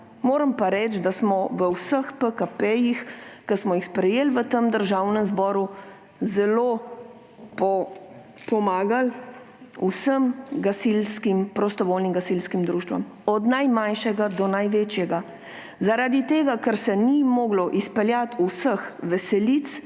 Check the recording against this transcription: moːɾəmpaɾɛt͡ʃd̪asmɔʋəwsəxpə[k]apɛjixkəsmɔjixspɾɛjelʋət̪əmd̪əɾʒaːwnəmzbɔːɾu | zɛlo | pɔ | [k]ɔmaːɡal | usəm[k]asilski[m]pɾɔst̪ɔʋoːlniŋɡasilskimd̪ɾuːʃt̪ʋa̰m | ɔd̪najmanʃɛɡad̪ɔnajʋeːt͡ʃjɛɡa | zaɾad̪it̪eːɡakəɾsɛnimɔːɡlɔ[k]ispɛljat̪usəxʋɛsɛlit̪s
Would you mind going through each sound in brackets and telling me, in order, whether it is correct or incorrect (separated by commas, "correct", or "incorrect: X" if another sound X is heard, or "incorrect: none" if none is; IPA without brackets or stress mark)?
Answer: correct, incorrect: p, incorrect: ɡ, correct, incorrect: ʔ